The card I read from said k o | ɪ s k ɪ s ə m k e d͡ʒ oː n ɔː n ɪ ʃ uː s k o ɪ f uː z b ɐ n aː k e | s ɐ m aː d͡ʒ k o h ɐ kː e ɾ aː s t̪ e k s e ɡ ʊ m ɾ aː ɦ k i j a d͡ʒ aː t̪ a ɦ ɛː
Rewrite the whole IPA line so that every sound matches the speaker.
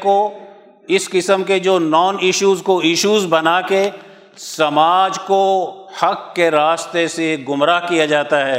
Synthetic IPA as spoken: k o | ɪ s k ɪ s ə m k e d͡ʒ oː n ɔː n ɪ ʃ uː z k o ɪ ʃ uː z b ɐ n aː k e | s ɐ m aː d͡ʒ k o h ɐ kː e ɾ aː s t̪ e s e ɡ ʊ m ɾ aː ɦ k i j a d͡ʒ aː t̪ a ɦ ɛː